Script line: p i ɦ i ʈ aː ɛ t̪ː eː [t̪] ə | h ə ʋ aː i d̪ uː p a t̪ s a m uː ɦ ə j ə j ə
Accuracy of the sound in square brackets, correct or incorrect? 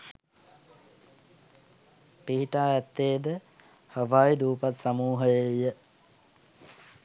incorrect